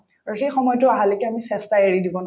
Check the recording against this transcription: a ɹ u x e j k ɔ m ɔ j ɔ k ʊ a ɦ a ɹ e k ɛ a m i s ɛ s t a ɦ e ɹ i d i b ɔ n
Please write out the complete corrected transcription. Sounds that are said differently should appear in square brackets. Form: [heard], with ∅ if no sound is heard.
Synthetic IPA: a ɹ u x e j [x] ɔ m ɔ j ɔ [t] ʊ a ɦ a [l] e k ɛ a m i s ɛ s t a [∅] e ɹ i d i b ɔ n